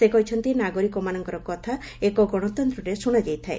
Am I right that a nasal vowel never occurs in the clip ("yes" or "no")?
yes